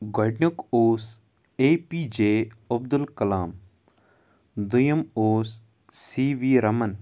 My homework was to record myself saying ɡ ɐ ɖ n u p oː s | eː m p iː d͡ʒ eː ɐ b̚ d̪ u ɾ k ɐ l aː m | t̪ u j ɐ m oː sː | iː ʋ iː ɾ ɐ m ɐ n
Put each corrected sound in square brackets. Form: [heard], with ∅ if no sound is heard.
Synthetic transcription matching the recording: ɡ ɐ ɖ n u [k] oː s | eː [∅] p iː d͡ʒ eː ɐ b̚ d̪ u [l] k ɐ l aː m | [d̪] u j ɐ m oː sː | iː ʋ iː ɾ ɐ m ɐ n

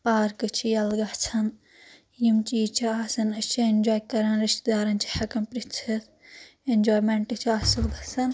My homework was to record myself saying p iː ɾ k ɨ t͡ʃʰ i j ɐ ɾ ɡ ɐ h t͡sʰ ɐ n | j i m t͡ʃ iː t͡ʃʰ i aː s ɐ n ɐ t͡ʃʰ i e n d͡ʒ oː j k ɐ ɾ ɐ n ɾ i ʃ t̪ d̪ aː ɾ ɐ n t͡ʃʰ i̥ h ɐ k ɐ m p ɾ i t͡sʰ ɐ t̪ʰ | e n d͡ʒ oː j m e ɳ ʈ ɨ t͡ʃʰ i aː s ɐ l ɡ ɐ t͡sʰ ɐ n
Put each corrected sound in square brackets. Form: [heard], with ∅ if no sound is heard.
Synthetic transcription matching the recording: p [aː] ɾ k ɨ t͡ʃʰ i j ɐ [l] ɡ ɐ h t͡sʰ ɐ n | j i m t͡ʃ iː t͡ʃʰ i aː s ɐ n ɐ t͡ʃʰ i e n d͡ʒ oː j k ɐ ɾ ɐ n ɾ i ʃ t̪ d̪ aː ɾ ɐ n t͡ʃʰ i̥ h ɐ k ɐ m p ɾ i t͡sʰ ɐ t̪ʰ | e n d͡ʒ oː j m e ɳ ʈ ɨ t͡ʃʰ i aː s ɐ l ɡ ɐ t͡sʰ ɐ n

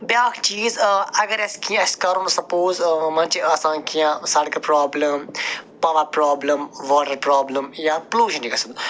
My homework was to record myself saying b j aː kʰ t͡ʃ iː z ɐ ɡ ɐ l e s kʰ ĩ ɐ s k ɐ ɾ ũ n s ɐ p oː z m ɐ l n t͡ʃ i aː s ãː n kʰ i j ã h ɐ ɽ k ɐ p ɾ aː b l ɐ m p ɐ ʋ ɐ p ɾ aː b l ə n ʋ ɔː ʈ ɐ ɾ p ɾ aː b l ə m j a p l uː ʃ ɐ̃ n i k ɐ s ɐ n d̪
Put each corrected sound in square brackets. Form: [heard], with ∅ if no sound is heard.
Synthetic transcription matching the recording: b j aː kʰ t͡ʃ iː z ɐ ɡ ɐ [ɾ] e s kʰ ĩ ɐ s k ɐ ɾ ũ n s ɐ p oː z m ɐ [∅] n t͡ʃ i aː s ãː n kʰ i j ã [s] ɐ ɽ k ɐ p ɾ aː b l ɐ m p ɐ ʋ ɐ p ɾ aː b l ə [m] ʋ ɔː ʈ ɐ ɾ p ɾ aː b l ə m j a p l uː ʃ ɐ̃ n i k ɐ s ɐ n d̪

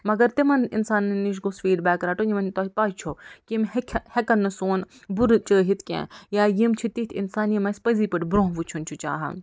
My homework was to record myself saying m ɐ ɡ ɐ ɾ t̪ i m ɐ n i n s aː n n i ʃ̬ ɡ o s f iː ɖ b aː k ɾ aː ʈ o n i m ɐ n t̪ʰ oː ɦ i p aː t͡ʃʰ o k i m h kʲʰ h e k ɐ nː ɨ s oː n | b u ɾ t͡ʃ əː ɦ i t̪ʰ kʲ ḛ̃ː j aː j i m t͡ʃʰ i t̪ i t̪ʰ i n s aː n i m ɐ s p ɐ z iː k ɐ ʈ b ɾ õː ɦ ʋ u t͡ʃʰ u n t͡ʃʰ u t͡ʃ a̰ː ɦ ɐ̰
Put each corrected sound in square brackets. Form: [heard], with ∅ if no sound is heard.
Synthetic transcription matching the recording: m ɐ ɡ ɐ ɾ t̪ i m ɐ n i n s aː n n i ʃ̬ ɡ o s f iː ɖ b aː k ɾ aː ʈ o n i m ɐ n [t̪] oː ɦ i p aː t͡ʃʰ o k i m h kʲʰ h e k ɐ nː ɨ s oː n | b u ɾ t͡ʃ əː ɦ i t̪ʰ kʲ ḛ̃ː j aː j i m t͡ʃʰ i t̪ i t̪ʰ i n s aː n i m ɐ s p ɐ z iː [p] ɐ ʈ b ɾ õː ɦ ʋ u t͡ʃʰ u n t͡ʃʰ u t͡ʃ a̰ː ɦ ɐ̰

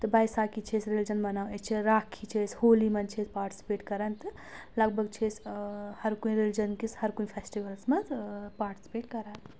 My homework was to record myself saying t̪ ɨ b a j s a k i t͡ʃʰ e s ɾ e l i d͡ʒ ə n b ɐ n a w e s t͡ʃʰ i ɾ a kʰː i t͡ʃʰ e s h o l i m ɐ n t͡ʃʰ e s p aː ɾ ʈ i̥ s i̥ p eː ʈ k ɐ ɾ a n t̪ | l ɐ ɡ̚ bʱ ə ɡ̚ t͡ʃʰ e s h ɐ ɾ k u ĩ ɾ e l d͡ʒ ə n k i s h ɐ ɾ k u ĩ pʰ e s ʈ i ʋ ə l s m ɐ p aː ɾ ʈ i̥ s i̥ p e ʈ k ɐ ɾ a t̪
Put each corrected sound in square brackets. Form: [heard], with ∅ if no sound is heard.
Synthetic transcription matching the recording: t̪ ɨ b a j s a k i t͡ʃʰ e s ɾ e l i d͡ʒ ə n b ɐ n a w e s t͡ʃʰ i ɾ a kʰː i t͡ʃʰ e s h o l i m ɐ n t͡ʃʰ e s p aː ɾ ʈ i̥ s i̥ p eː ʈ k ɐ ɾ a n t̪ | l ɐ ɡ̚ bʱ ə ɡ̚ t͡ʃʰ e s h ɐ ɾ k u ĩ ɾ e l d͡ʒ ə n k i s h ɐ ɾ k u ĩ pʰ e s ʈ i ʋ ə l s m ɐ p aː ɾ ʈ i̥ s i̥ p e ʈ k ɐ ɾ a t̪

